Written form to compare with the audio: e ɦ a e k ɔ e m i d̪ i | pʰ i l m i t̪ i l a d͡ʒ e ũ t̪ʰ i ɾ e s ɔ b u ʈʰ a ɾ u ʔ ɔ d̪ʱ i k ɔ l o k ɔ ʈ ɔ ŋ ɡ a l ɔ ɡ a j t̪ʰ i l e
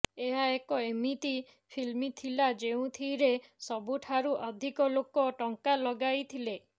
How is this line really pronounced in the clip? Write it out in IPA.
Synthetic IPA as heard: e ɦ a e k ɔ e m i t̪ i | pʰ i l m i t̪ʰ i l a d͡ʒ e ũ t̪ʰ i ɾ e s ɔ b u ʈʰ a ɾ u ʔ ɔ d̪ʱ i k ɔ l o k ɔ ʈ ɔ ŋ k a l ɔ ɡ a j t̪ʰ i l e